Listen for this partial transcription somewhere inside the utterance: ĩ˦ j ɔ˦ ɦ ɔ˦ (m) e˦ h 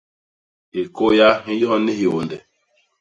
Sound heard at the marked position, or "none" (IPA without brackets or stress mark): n